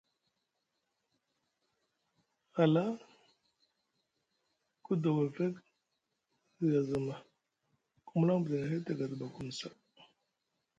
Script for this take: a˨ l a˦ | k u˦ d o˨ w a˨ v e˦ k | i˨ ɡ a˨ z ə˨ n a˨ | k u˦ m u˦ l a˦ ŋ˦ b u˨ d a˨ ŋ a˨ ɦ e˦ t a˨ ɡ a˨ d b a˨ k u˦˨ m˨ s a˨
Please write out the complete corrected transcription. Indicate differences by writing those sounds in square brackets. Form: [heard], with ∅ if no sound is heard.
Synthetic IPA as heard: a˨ l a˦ | k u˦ d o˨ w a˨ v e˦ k | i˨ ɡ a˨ z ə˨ [m] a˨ | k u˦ m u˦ l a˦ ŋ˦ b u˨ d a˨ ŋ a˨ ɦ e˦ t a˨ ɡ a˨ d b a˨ k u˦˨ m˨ s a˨